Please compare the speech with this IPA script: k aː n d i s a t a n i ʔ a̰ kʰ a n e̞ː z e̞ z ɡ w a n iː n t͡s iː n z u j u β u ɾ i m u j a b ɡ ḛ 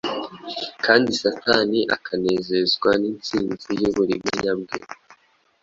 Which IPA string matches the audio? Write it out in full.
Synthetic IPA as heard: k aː n d i s a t a n i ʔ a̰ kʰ a n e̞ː z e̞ z ɡ w a n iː n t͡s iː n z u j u β u ɾ i m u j a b ɡ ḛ